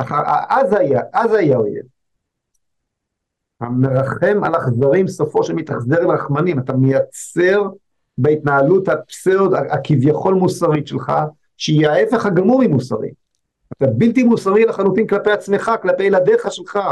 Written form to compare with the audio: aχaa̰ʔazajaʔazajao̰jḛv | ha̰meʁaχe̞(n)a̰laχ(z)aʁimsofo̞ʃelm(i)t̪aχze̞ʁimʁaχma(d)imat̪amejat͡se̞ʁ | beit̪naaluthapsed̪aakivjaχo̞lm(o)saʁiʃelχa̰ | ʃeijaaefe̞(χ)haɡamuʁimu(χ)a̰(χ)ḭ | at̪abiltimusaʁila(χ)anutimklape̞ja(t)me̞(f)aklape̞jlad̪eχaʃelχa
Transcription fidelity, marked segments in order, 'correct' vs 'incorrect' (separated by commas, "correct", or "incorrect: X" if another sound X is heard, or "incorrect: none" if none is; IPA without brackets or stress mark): incorrect: m, correct, correct, incorrect: n, incorrect: u, correct, incorrect: s, incorrect: ʁ, correct, incorrect: t͡s, incorrect: χ